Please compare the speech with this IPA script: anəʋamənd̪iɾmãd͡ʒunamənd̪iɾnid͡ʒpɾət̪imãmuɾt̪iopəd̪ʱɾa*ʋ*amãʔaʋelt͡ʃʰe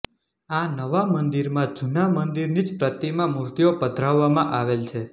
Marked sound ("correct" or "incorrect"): incorrect